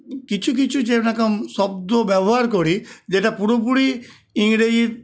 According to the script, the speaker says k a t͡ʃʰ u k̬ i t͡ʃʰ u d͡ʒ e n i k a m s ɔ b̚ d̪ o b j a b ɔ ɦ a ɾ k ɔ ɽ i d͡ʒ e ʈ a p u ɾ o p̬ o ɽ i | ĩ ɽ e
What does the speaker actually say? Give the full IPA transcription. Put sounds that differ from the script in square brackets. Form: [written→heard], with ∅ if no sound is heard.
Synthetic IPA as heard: k [a→i] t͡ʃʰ u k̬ i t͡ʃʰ u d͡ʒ e n [i→a] k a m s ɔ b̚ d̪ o b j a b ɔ ɦ a ɾ k ɔ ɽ i d͡ʒ e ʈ a p u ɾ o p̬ [o→u] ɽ i | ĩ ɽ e